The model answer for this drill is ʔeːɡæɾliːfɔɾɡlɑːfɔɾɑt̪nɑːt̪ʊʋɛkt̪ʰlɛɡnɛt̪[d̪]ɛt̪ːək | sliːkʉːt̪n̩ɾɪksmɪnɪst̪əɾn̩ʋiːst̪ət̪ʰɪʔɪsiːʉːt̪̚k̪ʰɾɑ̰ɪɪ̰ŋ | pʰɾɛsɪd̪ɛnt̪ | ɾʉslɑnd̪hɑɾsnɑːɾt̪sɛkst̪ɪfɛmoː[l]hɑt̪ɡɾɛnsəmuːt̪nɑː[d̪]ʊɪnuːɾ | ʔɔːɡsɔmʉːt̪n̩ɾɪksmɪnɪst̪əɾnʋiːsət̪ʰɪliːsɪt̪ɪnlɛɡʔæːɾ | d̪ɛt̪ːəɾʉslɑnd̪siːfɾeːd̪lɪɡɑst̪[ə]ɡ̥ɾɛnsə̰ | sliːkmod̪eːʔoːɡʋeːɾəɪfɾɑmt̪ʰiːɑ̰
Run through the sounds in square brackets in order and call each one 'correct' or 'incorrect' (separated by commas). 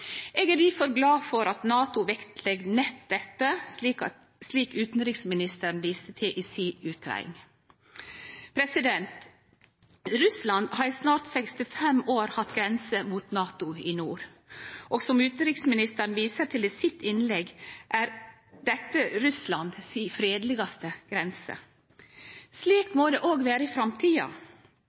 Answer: correct, incorrect, incorrect, correct